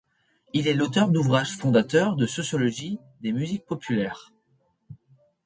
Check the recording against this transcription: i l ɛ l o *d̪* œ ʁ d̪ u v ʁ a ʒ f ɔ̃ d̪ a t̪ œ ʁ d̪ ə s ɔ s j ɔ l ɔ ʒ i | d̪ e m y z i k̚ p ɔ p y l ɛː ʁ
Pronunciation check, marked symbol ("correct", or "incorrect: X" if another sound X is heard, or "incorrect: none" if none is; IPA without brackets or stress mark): incorrect: t̪